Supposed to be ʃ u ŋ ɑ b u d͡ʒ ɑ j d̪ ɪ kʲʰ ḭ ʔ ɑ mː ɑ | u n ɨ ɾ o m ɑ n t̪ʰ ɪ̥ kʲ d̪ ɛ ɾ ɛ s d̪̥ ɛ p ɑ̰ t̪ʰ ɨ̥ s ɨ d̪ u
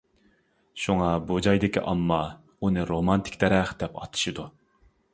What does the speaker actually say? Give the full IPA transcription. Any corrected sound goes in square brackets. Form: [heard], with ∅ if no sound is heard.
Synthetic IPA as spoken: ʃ u ŋ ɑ b u d͡ʒ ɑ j d̪ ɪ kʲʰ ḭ ʔ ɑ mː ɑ | u n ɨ ɾ o m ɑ n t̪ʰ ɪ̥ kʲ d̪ ɛ ɾ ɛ [χ] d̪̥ ɛ p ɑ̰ t̪ʰ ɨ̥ [ʃ] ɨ d̪ u